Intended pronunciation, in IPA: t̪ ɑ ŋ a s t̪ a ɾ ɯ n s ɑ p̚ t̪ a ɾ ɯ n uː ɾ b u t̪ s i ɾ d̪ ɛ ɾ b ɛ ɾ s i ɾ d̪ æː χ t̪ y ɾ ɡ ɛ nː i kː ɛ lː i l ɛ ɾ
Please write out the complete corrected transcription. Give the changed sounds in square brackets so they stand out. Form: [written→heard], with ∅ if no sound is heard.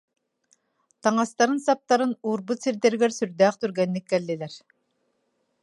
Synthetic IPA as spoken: t̪ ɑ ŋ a s t̪ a ɾ ɯ n s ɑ p̚ t̪ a ɾ ɯ n uː ɾ b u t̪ s i ɾ d̪ ɛ ɾ [b→ɡ] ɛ ɾ s [i→y] ɾ d̪ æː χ t̪ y ɾ ɡ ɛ nː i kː ɛ lː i l ɛ ɾ